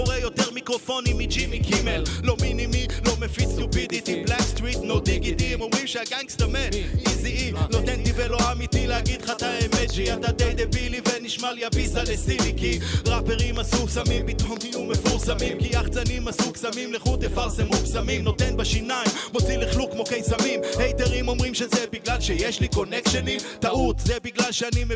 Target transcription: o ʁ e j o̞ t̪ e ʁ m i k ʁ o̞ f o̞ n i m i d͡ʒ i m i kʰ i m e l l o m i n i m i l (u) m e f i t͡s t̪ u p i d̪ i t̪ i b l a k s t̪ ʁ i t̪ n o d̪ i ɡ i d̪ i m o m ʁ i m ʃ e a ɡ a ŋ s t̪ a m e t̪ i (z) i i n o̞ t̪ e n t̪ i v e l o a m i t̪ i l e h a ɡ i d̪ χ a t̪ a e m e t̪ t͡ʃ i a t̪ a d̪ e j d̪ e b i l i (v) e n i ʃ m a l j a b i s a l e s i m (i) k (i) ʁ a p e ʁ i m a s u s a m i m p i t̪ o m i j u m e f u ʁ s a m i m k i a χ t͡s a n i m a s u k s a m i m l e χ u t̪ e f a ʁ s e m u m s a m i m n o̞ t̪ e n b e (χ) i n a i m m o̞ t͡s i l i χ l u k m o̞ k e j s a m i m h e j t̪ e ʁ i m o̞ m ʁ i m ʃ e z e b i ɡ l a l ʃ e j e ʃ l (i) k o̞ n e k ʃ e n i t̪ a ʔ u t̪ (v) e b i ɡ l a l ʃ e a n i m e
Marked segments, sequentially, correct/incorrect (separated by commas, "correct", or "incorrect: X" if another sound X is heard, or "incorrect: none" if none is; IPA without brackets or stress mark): incorrect: o, correct, correct, correct, correct, incorrect: ʃ, correct, incorrect: z